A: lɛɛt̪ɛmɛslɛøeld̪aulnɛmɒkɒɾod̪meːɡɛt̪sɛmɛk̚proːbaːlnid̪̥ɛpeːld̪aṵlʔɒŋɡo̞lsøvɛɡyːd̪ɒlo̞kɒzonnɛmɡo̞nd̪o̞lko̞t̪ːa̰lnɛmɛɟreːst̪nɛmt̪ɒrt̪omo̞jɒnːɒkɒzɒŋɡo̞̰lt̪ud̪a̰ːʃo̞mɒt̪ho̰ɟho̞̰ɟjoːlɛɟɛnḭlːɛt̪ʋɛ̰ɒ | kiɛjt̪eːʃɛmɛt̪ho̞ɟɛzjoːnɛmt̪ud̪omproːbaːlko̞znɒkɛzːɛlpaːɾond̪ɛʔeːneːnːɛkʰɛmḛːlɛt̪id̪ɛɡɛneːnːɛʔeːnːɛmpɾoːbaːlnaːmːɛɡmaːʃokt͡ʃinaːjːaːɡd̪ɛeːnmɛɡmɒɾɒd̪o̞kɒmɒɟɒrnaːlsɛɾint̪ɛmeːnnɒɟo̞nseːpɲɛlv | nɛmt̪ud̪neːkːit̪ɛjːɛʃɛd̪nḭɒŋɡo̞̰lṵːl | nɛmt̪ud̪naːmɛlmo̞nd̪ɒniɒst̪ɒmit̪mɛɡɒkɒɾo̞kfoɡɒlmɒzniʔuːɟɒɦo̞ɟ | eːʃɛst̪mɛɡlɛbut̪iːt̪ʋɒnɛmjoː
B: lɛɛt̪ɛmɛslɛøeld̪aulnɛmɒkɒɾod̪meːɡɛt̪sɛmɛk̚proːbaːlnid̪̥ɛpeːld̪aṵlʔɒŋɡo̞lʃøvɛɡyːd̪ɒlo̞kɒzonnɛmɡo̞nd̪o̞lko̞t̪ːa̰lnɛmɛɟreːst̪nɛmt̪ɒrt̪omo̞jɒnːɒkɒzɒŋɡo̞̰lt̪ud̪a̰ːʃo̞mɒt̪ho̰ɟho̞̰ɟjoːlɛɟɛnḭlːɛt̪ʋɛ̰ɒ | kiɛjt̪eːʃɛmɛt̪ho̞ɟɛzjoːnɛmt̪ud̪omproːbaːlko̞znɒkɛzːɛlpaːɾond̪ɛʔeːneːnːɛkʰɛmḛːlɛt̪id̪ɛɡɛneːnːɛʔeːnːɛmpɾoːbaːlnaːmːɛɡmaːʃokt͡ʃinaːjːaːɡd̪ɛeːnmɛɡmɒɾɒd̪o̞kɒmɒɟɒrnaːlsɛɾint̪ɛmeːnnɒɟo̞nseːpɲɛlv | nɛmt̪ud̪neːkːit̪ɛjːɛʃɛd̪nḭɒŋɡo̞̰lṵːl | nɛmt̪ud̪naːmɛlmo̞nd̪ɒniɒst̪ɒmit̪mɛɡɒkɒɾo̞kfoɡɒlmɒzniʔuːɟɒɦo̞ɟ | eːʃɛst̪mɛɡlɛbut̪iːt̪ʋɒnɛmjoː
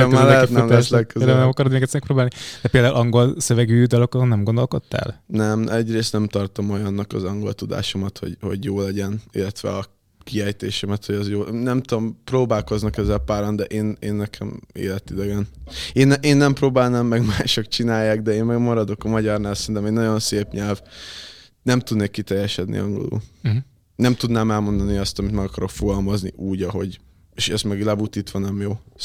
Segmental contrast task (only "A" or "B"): A